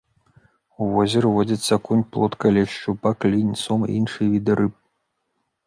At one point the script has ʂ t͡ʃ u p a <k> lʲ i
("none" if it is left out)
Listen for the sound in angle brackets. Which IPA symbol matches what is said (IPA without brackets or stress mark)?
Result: k